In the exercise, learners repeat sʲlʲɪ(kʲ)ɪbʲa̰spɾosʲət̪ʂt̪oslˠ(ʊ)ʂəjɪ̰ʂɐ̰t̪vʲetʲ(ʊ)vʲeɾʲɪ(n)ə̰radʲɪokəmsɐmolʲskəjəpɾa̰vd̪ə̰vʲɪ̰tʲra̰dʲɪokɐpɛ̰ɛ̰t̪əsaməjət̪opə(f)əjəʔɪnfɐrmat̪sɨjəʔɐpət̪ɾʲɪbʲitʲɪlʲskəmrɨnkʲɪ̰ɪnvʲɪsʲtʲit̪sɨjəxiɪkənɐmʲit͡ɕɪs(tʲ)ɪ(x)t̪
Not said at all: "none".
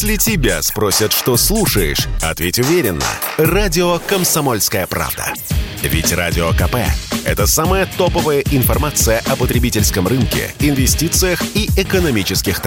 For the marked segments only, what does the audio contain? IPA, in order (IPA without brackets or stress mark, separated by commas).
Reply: tʲ, u, ʊ, nː, v, kʲ, x